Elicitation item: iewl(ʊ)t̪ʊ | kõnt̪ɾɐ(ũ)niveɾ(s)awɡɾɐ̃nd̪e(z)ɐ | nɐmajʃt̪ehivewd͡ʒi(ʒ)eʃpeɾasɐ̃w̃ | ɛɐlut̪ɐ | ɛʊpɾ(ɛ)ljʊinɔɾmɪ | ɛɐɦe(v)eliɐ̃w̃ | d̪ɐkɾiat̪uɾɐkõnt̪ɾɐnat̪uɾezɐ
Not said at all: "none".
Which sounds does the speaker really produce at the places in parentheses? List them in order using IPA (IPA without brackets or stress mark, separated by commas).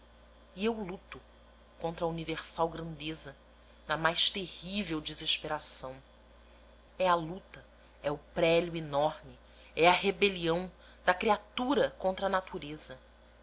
u, u, s, z, z, ɛ, b